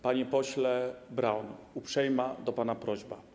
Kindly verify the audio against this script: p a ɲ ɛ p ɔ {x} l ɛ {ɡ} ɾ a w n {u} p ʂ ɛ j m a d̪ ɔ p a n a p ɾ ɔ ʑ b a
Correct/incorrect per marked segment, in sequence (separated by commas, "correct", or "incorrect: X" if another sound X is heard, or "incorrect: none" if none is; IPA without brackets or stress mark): incorrect: ɕ, incorrect: b, correct